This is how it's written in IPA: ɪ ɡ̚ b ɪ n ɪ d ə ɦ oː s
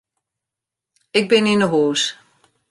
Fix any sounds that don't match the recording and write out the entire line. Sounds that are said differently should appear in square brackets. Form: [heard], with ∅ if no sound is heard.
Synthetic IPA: ɪ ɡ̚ b ɪ n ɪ [n] ə ɦ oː s